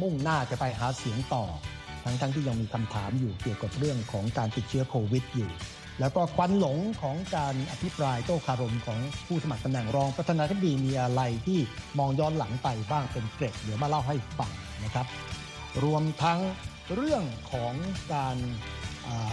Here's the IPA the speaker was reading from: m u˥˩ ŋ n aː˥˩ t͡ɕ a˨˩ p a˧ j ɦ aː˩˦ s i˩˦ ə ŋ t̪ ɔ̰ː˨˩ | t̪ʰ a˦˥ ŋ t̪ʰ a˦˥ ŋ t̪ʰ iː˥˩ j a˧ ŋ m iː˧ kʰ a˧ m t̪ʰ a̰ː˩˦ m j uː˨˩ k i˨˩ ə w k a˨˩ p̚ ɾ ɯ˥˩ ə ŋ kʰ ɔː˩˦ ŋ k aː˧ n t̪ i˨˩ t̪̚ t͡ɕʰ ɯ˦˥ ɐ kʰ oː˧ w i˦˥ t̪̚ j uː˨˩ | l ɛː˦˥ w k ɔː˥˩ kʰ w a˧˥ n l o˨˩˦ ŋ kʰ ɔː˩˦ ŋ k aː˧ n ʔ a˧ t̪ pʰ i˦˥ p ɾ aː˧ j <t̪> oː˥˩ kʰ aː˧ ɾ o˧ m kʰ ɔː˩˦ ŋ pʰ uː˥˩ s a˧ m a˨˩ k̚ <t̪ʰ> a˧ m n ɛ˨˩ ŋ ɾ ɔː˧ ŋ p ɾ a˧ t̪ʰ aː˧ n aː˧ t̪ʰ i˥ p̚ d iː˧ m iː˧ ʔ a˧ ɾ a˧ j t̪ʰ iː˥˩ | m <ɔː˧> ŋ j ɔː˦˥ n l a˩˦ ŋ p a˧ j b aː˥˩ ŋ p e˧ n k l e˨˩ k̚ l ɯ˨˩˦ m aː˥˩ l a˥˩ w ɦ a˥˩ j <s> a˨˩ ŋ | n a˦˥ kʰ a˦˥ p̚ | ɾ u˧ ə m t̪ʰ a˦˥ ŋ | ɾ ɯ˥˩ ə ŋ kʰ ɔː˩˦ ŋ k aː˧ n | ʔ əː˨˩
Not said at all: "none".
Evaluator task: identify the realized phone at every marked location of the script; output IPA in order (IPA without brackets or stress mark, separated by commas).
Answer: t̪, t̪, ɔː˧, f